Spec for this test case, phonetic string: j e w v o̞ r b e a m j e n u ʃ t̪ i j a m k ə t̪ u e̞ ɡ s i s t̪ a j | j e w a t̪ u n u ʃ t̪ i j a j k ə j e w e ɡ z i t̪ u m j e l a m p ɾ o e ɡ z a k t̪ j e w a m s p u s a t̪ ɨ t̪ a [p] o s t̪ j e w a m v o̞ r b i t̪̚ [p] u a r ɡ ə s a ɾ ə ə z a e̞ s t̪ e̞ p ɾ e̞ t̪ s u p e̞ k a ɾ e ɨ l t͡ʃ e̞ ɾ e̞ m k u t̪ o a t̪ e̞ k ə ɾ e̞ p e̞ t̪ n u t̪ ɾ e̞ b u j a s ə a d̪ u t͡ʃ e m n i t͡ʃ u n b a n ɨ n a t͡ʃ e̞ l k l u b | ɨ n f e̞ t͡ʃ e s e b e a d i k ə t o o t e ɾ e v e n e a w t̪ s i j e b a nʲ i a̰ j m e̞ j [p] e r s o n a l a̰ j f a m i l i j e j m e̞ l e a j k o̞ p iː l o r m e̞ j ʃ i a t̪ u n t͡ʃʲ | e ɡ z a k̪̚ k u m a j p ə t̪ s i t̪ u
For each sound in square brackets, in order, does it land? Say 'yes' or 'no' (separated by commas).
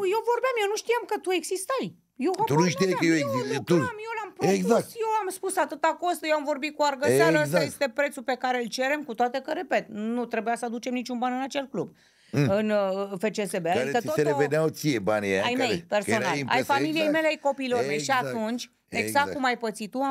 no, no, yes